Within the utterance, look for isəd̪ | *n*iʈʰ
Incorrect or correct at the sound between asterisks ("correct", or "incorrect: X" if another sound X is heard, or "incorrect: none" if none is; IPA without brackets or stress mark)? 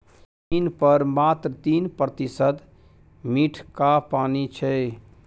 incorrect: m